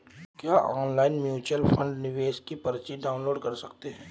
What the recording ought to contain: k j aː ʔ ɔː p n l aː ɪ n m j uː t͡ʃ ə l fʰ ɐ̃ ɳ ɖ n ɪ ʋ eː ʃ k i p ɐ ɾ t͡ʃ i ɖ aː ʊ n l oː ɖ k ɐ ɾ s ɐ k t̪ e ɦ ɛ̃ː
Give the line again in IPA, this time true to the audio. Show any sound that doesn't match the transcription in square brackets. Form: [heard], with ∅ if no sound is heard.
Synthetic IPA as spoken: k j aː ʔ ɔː [∅] n l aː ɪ n m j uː t͡ʃ ə l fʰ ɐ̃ ɳ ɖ n ɪ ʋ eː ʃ k i p ɐ ɾ t͡ʃ i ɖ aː ʊ n l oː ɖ k ɐ ɾ s ɐ k t̪ e ɦ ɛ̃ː

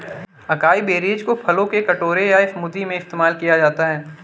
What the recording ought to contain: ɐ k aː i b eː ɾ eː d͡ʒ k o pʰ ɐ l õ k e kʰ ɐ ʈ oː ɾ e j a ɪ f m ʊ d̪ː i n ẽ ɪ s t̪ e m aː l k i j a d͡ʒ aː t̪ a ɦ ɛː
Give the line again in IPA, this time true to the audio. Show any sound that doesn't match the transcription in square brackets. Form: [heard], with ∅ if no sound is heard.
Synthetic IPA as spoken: ɐ k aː i b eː ɾ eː d͡ʒ k o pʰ ɐ l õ k e [k] ɐ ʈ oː ɾ e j a ɪ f m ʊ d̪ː i [m] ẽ ɪ s t̪ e m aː l k i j a d͡ʒ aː t̪ a ɦ ɛː

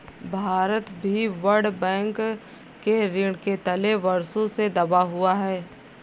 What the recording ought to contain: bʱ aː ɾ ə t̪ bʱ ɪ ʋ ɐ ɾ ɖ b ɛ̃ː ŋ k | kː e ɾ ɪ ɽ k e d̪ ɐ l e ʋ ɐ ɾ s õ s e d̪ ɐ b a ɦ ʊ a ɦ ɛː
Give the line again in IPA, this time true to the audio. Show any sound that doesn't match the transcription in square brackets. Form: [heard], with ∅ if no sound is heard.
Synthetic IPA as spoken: bʱ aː ɾ ə t̪ bʱ [i] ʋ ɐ ɾ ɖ b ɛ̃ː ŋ k | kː e ɾ ɪ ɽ k e [t̪] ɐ l e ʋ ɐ ɾ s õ s e d̪ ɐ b a ɦ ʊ a ɦ ɛː

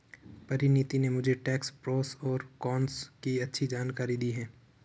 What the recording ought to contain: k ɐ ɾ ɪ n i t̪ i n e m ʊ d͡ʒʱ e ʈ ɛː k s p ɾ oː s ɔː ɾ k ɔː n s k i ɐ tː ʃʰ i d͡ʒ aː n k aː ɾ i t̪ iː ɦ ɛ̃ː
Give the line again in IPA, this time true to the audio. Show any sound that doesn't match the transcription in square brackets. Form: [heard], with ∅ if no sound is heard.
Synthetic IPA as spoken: [p] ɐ ɾ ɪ n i t̪ i n e m ʊ d͡ʒʱ e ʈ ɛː k s p ɾ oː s ɔː ɾ k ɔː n s k i ɐ tː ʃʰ i d͡ʒ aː n k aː ɾ i [d̪] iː ɦ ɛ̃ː

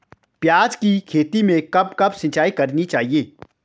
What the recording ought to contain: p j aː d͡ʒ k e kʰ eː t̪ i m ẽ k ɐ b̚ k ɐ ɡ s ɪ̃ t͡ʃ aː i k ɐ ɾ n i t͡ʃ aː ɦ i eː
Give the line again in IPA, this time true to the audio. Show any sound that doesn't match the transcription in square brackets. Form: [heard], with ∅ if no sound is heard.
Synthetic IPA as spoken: p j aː d͡ʒ k [i] kʰ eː t̪ i m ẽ k ɐ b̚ k ɐ [b] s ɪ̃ t͡ʃ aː i k ɐ ɾ n i t͡ʃ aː ɦ i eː

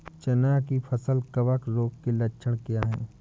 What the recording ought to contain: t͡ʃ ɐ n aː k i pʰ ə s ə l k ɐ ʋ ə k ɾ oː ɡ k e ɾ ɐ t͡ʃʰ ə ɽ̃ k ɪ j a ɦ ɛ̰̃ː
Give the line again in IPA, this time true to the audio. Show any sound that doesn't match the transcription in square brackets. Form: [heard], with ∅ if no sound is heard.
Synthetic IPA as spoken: t͡ʃ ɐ n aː k i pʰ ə s ə l k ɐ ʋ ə k ɾ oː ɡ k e [l] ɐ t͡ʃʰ ə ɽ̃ k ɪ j a ɦ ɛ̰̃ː

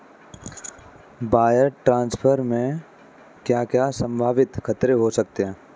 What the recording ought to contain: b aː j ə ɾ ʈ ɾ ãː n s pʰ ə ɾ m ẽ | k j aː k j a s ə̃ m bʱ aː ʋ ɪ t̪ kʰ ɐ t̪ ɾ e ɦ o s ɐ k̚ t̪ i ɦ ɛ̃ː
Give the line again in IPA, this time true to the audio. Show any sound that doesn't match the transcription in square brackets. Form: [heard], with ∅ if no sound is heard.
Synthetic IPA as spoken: b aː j ə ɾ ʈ ɾ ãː n s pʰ ə ɾ m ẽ | k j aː k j a s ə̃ m bʱ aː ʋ ɪ t̪ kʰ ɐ t̪ ɾ e ɦ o s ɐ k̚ t̪ [e] ɦ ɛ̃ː

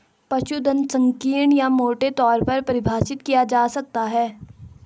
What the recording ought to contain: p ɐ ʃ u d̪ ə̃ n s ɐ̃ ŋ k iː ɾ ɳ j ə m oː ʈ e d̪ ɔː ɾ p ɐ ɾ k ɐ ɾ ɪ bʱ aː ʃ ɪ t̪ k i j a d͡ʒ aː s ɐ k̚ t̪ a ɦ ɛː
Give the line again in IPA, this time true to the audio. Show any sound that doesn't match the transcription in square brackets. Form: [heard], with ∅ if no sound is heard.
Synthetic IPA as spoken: p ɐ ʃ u d̪ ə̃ n s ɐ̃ ŋ k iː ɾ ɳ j [a] m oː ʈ e [t̪] ɔː ɾ p ɐ ɾ [p] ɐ ɾ ɪ bʱ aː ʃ ɪ t̪ k i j a d͡ʒ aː s ɐ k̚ t̪ a ɦ ɛː

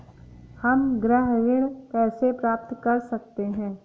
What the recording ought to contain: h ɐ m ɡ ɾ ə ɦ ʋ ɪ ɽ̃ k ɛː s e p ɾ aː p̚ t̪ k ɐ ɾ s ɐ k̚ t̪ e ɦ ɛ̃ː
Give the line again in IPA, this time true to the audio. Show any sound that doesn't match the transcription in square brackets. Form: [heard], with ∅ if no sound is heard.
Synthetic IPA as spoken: h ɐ m ɡ ɾ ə ɦ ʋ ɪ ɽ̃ k ɛː s e p ɾ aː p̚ t̪ k ɐ ɾ s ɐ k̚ t̪ e ɦ ɛ̃ː

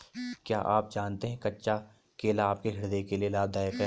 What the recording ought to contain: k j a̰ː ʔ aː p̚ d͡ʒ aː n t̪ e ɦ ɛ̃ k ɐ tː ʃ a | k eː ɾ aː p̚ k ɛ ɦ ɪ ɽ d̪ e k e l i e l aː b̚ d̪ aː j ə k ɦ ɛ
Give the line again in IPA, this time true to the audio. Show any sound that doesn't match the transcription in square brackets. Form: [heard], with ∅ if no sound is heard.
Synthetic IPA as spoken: k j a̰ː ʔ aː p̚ d͡ʒ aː n t̪ e ɦ ɛ̃ k ɐ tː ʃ a | k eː [l] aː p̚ k [e] ɦ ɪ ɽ d̪ e k e l i e l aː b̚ d̪ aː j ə k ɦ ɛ

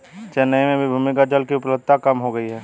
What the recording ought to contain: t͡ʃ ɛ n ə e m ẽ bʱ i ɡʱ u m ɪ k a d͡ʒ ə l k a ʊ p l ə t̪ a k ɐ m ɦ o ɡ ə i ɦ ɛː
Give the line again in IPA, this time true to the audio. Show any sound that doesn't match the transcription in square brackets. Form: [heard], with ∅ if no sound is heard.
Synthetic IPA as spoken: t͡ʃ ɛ n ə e m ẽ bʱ i [bʱ] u m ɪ k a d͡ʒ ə l k [i] ʊ p l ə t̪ a k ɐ m ɦ o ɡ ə i ɦ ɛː

